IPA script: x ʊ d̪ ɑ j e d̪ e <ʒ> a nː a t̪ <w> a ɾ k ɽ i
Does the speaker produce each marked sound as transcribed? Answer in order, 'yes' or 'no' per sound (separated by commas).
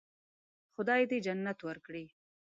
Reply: no, yes